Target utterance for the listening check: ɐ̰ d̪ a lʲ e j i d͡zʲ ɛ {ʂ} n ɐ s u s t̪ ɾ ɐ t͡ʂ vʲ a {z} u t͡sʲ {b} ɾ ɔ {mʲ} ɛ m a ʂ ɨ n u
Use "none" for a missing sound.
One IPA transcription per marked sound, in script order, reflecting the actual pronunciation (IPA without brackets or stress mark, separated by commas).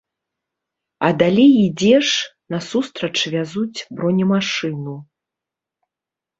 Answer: ʂ, z, b, nʲ